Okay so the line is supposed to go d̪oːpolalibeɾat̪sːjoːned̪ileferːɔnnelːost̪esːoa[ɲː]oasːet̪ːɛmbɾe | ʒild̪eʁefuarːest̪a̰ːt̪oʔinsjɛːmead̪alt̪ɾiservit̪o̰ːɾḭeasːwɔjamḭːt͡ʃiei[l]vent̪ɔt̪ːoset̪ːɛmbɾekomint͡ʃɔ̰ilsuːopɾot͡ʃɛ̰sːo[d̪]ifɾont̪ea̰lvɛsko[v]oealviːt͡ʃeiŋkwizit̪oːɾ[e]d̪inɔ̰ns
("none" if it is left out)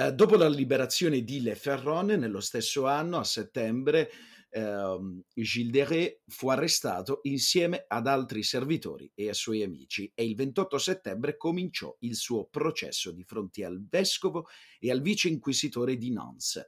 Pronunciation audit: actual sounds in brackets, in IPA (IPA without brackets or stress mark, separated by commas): nː, l, d̪, v, e